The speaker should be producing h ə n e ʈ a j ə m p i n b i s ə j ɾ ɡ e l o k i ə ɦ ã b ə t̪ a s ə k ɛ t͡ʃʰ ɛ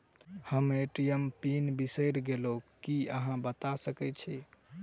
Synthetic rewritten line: h ə m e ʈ i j ə m p i n b i s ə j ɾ ɡ e l o k i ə ɦ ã b ə t̪ a s ə k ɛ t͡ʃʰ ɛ